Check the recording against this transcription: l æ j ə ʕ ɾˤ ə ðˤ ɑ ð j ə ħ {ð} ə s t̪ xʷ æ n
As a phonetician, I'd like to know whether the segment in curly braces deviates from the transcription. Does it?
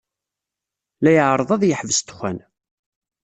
yes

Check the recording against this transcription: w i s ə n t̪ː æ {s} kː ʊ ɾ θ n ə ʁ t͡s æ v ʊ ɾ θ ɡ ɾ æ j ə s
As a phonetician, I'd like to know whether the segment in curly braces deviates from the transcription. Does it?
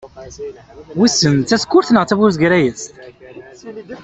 no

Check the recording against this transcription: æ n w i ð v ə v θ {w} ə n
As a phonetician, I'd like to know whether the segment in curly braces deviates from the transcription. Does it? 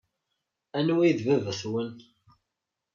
no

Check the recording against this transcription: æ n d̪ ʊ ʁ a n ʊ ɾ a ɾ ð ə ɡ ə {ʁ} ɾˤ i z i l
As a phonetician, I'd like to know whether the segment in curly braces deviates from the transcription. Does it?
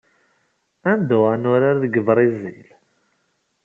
yes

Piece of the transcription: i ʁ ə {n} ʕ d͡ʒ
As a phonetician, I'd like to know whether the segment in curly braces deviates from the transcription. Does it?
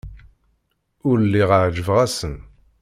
yes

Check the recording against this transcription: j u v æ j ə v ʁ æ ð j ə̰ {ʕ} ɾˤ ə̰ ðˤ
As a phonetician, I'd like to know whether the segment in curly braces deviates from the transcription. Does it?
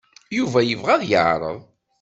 no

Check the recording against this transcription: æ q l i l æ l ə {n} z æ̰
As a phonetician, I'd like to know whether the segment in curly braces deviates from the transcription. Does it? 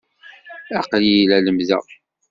yes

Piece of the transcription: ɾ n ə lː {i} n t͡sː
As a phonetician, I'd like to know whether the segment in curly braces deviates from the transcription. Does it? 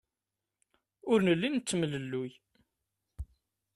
no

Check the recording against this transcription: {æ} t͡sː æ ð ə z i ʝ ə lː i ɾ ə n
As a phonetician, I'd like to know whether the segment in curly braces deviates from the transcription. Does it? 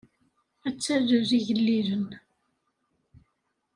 no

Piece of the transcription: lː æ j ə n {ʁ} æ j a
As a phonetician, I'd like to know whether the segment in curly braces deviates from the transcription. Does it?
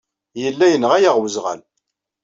no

